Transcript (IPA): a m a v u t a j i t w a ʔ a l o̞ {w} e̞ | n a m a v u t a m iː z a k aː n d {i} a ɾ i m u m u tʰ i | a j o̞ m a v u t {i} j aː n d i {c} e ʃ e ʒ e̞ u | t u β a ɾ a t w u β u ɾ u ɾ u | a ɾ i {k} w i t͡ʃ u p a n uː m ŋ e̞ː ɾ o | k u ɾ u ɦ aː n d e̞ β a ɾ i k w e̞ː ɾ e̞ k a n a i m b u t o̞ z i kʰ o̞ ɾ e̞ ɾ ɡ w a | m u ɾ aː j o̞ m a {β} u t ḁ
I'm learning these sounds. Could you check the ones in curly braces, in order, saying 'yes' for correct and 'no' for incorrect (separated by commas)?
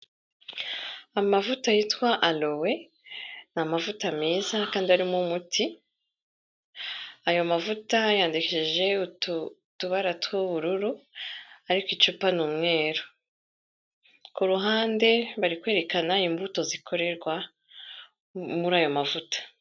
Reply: yes, yes, no, no, yes, no